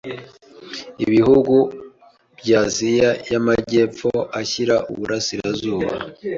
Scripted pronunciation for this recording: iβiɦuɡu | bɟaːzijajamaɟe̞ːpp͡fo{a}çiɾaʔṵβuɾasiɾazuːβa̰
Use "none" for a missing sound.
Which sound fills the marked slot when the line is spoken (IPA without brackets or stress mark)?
a